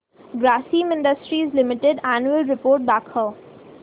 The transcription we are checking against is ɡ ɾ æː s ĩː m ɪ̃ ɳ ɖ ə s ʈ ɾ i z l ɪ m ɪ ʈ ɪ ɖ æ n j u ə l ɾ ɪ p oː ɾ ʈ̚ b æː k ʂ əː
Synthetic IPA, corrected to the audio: ɡ ɾ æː s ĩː m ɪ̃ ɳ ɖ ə s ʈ ɾ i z l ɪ m ɪ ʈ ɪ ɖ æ n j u ə l ɾ ɪ p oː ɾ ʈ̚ b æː k h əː